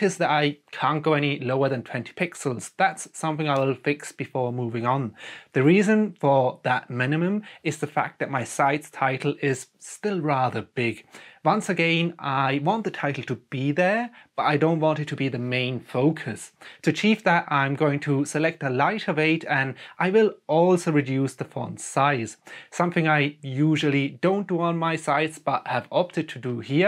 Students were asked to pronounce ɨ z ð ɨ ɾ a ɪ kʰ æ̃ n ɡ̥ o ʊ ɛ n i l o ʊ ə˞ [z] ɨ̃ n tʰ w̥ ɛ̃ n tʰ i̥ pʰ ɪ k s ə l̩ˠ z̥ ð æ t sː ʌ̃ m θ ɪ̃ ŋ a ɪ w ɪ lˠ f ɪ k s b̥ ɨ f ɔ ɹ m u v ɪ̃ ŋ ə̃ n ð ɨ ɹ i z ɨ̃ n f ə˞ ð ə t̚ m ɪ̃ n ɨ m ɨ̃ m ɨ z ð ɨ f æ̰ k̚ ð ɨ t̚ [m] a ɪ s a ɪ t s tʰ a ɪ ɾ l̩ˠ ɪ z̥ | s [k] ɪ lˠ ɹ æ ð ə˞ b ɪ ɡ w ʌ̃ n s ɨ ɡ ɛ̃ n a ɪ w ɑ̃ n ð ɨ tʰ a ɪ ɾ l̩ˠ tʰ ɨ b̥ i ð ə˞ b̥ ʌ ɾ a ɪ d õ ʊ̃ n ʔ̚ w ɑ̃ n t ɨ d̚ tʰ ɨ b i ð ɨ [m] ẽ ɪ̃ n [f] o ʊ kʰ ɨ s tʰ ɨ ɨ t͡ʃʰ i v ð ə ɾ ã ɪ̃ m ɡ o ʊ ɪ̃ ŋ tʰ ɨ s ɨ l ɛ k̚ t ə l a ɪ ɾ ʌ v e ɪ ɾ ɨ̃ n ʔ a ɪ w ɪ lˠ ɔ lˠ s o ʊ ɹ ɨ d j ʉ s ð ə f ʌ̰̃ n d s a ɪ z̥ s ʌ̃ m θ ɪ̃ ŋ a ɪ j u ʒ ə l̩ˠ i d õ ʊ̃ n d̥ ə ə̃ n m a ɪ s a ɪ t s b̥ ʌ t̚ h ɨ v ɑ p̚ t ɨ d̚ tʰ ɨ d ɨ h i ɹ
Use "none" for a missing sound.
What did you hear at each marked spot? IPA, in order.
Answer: ð, m, t, m, f

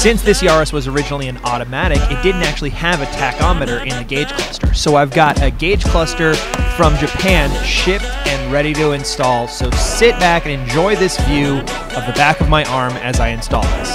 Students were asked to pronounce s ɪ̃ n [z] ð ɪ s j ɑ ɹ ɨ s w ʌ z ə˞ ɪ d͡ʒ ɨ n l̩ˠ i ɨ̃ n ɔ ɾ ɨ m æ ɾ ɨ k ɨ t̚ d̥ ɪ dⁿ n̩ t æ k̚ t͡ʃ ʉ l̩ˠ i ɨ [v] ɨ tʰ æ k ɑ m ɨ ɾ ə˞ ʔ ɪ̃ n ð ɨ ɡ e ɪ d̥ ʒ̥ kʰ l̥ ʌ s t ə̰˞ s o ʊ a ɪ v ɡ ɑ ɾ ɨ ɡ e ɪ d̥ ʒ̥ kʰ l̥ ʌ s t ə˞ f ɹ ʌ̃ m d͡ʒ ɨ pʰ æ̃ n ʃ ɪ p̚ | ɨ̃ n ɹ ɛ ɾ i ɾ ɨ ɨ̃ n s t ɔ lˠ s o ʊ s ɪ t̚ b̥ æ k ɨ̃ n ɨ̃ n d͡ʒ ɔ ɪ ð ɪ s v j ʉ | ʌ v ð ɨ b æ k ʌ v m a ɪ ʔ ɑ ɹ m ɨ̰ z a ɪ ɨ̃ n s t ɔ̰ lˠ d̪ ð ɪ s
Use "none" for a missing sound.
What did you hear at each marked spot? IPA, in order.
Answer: s, v

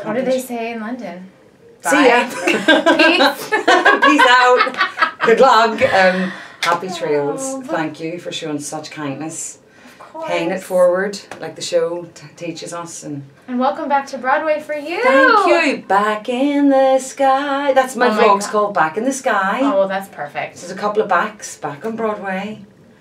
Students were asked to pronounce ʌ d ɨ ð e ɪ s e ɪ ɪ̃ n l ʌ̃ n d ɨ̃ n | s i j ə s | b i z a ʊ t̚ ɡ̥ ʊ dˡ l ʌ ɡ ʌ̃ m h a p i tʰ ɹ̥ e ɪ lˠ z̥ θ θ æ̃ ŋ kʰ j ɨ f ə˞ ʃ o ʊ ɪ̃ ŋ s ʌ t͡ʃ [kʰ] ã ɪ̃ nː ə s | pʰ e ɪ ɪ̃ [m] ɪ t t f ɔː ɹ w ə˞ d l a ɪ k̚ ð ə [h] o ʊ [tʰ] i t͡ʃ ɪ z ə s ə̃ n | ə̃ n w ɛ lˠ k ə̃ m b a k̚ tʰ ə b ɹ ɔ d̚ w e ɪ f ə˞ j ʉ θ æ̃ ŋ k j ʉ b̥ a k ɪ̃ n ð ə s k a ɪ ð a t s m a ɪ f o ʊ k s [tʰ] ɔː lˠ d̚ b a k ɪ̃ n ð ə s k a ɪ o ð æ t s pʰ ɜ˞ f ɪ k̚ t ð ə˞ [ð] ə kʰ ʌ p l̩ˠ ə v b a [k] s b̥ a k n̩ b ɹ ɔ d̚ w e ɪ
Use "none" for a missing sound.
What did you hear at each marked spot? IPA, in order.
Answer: kʰ, ŋ, ʃ, tʰ, kʰ, z, k

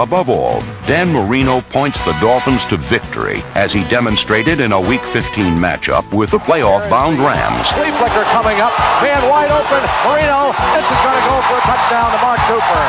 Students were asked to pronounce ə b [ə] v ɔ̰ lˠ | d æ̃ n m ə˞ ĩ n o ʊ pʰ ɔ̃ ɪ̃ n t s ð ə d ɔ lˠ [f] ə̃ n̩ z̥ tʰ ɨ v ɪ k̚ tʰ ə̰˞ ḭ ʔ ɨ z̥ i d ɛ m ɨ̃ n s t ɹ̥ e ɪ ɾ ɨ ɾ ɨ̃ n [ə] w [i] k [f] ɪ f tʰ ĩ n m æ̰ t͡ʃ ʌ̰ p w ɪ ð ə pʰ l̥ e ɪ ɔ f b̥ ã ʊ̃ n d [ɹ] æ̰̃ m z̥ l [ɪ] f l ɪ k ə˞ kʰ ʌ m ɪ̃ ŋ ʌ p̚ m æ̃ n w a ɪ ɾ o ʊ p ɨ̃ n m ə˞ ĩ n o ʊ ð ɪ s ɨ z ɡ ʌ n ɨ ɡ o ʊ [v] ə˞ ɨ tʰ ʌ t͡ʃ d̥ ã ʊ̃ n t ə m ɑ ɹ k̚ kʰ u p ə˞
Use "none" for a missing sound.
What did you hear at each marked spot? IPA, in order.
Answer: ʌ, f, ə, i, f, ɹ, i, f

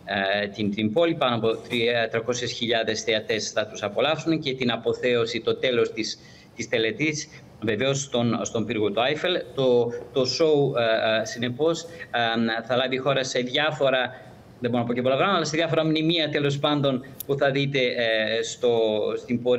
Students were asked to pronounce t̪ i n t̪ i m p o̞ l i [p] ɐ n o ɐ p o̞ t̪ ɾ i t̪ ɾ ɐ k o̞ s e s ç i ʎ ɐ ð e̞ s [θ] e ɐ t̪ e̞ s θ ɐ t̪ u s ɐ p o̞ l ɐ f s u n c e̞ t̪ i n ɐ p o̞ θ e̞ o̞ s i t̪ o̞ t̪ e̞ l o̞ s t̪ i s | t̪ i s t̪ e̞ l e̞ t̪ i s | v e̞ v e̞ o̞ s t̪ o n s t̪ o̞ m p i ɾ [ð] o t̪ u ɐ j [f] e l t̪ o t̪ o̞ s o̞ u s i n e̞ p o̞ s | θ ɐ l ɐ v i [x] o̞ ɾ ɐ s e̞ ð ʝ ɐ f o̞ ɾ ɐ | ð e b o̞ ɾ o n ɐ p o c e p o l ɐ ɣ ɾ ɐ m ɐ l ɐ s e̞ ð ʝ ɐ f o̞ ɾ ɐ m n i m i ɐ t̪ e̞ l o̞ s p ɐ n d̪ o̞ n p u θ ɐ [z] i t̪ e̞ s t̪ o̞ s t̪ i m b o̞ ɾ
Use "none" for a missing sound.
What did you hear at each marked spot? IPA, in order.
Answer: p, θ, ɣ, f, x, ð

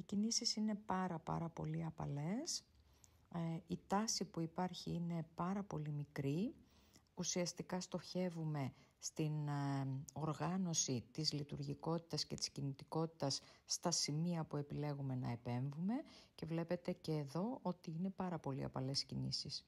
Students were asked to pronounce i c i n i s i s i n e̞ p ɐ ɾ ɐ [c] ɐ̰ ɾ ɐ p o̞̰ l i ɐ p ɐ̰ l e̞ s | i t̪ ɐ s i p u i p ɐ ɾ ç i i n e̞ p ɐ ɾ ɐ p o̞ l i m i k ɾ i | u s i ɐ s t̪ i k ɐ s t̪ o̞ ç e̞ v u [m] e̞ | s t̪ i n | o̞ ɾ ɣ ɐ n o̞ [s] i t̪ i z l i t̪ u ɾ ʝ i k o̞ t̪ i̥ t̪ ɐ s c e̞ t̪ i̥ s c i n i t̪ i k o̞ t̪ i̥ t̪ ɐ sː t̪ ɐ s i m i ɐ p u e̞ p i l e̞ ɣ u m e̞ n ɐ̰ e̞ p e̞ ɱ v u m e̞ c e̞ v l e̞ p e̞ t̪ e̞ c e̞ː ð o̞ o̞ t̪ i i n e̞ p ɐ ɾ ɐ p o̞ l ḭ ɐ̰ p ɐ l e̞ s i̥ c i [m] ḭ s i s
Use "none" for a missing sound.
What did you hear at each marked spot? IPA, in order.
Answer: p, m, s, n

